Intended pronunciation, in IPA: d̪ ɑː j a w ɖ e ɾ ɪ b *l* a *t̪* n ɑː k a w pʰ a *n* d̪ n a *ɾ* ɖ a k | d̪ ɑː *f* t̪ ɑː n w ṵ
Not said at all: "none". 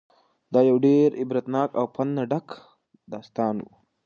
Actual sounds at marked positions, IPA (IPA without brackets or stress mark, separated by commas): ɾ, t̪, n, none, s